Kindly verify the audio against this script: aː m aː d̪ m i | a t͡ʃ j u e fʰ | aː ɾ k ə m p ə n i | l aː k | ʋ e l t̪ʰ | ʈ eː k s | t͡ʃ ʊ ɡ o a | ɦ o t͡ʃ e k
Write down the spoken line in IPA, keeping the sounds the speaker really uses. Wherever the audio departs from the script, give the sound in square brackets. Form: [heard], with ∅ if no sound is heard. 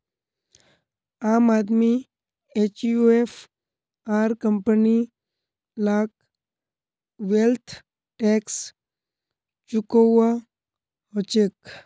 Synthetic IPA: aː m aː d̪ m i | [e] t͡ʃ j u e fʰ | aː ɾ k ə m p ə n i | l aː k | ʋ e l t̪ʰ | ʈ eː k s | t͡ʃ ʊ [k] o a | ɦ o t͡ʃ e k